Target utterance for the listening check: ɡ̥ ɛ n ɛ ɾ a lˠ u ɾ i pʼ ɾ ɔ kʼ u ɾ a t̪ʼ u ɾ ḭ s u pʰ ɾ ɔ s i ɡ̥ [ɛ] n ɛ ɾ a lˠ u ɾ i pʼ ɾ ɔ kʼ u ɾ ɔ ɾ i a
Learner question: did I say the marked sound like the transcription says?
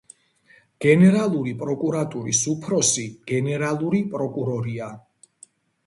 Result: yes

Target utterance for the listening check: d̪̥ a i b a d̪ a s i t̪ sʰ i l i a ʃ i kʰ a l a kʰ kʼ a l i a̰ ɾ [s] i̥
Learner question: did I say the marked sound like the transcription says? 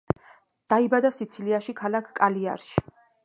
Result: no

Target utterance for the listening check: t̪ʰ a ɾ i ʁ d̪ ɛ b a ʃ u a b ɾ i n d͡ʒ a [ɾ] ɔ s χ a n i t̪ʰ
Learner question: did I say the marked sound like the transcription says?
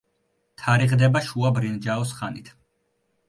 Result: no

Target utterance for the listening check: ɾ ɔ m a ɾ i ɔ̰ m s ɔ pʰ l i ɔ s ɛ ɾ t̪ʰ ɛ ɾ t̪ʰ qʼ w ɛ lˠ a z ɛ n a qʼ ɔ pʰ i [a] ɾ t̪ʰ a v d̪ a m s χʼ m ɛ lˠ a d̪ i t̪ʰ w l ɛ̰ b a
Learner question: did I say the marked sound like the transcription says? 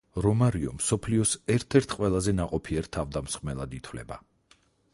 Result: no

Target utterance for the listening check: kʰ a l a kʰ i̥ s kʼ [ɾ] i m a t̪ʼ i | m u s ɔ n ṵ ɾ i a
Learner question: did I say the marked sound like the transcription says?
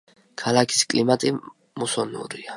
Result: no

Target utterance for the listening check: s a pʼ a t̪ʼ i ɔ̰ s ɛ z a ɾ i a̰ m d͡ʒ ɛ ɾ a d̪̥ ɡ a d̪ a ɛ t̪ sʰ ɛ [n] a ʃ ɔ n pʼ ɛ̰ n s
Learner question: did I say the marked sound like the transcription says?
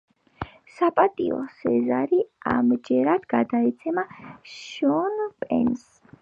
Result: no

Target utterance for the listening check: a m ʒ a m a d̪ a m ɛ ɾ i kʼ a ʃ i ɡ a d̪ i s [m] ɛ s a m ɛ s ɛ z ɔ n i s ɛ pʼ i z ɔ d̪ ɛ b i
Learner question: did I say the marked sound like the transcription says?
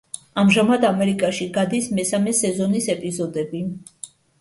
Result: yes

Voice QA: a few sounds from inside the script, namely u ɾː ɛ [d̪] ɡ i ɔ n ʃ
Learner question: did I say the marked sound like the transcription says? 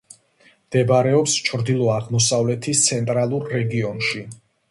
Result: no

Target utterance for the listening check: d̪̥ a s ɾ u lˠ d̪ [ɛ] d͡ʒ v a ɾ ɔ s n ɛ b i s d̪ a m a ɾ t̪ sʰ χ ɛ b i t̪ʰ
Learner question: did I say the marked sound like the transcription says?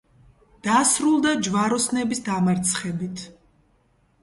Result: no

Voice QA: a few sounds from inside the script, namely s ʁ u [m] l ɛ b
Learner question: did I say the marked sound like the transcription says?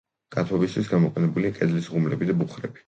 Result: yes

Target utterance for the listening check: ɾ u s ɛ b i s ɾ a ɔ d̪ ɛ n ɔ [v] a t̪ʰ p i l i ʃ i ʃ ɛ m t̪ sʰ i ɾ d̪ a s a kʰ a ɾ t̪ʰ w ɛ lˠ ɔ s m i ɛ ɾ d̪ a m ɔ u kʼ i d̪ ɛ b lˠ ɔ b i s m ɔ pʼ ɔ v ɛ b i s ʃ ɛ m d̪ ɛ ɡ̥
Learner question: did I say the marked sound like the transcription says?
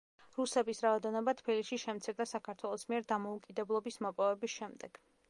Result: no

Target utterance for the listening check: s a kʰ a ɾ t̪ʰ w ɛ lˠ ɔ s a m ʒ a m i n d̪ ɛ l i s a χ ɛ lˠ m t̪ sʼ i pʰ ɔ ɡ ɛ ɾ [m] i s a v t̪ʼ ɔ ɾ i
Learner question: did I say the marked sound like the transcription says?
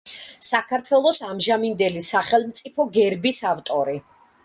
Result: no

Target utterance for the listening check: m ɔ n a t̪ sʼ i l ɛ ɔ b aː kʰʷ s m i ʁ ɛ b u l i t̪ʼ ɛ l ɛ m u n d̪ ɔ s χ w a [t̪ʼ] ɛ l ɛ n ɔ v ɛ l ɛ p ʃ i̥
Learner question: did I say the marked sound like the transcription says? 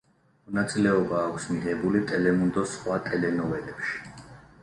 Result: yes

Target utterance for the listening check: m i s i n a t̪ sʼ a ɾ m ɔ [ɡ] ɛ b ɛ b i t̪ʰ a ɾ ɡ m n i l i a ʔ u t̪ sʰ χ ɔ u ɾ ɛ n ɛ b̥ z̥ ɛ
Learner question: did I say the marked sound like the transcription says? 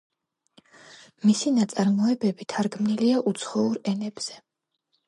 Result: no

